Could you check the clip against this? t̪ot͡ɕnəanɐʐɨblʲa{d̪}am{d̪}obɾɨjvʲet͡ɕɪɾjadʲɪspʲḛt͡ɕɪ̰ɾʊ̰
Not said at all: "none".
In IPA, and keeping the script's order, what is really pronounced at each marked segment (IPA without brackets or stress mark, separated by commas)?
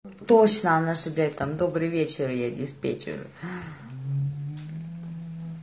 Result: t̪, d̪